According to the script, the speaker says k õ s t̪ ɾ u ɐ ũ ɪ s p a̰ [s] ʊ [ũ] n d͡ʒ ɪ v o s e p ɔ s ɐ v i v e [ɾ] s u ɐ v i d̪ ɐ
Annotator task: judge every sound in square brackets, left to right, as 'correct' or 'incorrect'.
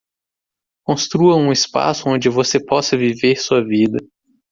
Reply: correct, incorrect: õ, correct

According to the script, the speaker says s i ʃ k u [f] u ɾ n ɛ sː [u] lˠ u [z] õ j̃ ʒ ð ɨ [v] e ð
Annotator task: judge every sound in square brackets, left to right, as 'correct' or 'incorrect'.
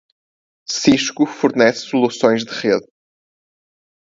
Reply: correct, correct, incorrect: s, incorrect: ʁ

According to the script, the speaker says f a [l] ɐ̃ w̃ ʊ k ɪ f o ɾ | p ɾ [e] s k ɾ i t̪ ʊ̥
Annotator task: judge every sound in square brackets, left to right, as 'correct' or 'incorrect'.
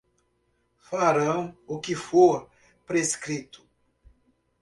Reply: incorrect: ɾ, correct

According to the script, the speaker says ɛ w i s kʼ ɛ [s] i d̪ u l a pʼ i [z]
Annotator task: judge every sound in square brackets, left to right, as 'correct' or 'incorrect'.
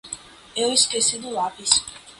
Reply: correct, incorrect: s

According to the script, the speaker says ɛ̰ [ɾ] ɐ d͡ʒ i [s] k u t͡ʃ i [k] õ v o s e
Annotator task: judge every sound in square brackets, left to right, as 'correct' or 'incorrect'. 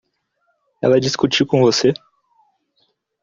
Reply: incorrect: l, correct, correct

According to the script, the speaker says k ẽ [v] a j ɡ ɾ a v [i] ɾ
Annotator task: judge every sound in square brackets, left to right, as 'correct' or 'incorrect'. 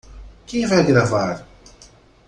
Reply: correct, incorrect: a

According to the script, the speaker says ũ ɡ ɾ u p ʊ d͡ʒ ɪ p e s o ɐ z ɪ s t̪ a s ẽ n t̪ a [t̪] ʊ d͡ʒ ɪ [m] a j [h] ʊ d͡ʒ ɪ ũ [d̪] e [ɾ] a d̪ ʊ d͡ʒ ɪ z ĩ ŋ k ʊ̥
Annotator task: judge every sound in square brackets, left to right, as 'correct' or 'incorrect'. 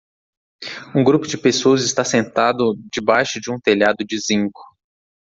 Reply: incorrect: d̪, incorrect: b, incorrect: ʃ, incorrect: t̪, incorrect: ʎ

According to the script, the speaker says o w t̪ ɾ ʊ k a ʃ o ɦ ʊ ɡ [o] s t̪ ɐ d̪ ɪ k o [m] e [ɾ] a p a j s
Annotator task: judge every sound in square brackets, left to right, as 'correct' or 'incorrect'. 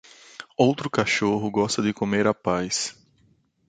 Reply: incorrect: ɔ, correct, correct

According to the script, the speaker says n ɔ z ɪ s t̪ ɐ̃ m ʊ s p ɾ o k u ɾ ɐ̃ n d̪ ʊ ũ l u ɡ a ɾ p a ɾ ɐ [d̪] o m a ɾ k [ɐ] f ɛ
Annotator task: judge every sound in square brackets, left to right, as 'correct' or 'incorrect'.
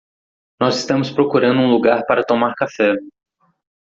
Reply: incorrect: t̪, incorrect: a

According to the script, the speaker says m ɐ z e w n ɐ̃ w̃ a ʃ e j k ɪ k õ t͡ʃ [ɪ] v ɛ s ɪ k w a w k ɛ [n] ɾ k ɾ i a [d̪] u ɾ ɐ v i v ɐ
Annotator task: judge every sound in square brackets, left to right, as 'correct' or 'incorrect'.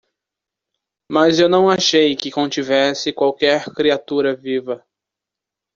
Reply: incorrect: i, incorrect: none, incorrect: t̪

